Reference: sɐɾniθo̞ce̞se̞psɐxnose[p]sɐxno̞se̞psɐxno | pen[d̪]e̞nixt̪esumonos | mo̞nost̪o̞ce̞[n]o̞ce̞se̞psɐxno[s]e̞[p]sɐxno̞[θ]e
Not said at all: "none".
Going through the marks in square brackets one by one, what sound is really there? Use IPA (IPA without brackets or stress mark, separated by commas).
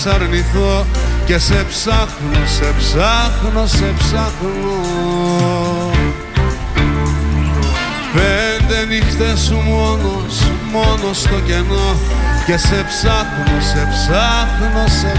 p, d̪, n, s, p, s